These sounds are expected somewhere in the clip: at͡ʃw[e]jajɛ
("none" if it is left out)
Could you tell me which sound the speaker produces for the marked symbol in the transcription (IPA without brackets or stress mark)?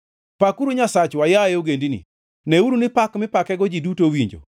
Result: a